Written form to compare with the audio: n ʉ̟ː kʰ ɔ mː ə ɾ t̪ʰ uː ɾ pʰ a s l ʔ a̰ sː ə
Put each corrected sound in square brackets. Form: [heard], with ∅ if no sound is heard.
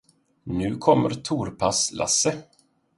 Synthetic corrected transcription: n ʉ̟ː kʰ ɔ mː ə ɾ t̪ʰ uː ɾ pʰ a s l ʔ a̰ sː ə